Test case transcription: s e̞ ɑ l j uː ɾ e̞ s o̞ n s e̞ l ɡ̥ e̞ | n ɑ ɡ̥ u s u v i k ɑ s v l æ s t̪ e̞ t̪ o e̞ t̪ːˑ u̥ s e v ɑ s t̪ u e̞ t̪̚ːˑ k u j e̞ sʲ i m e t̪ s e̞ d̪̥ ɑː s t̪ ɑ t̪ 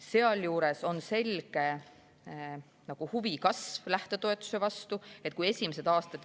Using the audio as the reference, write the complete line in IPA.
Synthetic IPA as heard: s e̞ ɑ l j uː ɾ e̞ s o̞ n s e̞ l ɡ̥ e̞ | n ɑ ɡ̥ u h u v i k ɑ s v l æ h t̪ e̞ t̪ o e̞ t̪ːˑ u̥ s e v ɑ s t̪ u e̞ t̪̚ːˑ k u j e̞ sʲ i m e s e̞ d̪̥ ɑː s t̪ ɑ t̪